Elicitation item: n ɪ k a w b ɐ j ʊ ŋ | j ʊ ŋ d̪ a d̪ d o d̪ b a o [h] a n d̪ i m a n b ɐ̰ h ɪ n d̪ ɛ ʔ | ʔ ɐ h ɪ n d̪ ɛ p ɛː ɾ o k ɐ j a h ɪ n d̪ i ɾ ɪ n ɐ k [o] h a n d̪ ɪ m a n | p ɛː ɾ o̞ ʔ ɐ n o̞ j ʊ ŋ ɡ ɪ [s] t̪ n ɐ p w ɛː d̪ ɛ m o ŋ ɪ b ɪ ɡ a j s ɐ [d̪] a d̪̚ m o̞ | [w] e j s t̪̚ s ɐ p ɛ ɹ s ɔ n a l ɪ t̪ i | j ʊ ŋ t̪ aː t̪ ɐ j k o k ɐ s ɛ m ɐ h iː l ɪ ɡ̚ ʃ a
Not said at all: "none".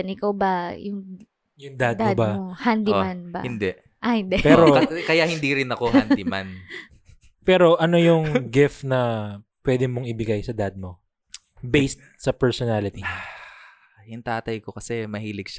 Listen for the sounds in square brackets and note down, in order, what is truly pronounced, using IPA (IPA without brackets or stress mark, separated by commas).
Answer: h, o, f, d̪, b